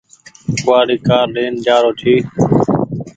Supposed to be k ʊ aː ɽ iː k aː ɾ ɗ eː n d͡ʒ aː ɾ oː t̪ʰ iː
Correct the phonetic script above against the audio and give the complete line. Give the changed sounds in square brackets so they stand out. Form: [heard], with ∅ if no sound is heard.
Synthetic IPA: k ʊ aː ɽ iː k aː ɾ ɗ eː n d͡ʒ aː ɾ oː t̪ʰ iː